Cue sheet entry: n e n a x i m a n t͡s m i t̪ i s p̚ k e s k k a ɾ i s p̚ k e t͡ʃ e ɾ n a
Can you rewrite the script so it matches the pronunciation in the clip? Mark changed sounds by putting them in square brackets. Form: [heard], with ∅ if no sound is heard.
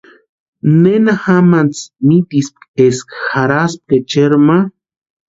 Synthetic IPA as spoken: n e n a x [a] m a n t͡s m i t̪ i s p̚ k e s k [x] a ɾ [a] s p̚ k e t͡ʃ e ɾ [m] a